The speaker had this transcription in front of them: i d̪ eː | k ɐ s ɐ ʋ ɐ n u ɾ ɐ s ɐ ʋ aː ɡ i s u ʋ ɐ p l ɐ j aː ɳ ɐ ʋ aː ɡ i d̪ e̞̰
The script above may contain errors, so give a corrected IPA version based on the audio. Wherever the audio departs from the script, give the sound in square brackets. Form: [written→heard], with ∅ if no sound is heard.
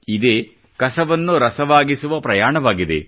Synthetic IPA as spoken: i d̪ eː | k ɐ s ɐ ʋ ɐ [n→nː] u ɾ ɐ s ɐ ʋ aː ɡ i s u ʋ ɐ p [l→ɾ] ɐ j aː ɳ ɐ ʋ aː ɡ i d̪ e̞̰